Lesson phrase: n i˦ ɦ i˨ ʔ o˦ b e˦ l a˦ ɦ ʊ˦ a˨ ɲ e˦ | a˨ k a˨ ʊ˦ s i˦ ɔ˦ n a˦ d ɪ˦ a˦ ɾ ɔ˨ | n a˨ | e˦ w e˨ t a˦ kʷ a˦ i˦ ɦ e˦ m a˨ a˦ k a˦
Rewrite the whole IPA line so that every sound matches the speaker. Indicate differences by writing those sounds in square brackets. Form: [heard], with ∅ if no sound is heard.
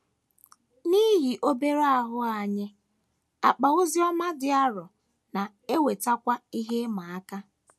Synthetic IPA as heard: n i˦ ɦ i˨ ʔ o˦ b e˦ [ɾ] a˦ ɦ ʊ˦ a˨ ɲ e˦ | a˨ [k͡p] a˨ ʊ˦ [z] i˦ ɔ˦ [m] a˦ d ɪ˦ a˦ ɾ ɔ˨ | n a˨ | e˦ w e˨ t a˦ kʷ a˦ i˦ ɦ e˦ m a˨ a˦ k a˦